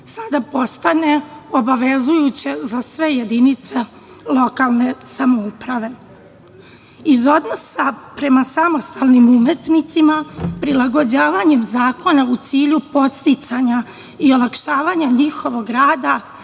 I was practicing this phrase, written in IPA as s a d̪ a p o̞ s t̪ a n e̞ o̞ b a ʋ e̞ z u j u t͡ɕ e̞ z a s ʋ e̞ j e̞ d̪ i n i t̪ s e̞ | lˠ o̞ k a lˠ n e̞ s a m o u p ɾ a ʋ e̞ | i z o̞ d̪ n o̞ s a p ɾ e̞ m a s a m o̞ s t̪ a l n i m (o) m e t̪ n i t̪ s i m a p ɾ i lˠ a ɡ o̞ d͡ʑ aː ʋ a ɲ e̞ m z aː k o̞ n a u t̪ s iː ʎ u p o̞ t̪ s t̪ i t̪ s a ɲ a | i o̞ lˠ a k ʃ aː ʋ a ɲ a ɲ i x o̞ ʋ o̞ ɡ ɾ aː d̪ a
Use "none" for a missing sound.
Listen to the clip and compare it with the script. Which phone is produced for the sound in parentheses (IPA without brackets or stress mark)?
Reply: u